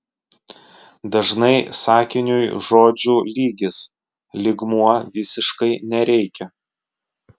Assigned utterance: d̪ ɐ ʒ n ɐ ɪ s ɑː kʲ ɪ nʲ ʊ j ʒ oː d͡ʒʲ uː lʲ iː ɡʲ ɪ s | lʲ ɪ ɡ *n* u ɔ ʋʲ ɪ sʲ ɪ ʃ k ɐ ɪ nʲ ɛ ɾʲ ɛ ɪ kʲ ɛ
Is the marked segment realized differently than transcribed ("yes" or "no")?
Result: yes